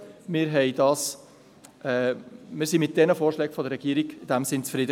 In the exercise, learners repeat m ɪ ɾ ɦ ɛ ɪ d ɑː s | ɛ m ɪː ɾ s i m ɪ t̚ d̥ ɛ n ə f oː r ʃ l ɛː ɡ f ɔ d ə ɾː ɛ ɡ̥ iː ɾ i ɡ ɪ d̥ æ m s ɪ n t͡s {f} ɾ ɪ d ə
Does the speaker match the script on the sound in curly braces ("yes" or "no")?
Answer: yes